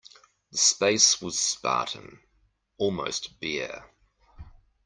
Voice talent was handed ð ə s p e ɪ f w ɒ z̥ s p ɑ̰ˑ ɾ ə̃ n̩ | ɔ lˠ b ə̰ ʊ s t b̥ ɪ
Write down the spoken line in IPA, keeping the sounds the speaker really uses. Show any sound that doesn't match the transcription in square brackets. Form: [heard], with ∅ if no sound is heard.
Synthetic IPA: ð ə s p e ɪ [s] w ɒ z̥ s p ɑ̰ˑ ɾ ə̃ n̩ | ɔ lˠ [m] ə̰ ʊ s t b̥ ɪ